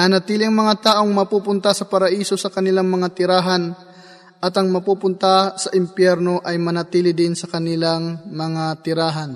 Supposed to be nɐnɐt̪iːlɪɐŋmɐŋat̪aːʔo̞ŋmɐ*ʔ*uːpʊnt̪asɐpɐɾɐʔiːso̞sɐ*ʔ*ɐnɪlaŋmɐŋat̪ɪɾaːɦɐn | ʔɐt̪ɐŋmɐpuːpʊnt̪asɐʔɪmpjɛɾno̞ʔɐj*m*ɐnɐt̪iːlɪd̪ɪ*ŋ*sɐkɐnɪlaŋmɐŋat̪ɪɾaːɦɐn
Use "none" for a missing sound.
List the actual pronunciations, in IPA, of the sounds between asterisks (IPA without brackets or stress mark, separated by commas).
p, k, m, n